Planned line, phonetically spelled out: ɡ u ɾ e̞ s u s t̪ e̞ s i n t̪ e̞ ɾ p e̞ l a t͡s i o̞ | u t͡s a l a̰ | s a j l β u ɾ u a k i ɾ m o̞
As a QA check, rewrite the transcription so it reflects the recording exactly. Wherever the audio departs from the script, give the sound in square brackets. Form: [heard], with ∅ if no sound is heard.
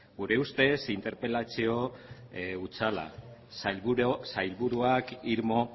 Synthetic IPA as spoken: ɡ u ɾ e̞ [∅] u s t̪ e̞ s i n t̪ e̞ ɾ p e̞ l a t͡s i o̞ | u t͡s a l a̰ | s a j l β u ɾ u a k i ɾ m o̞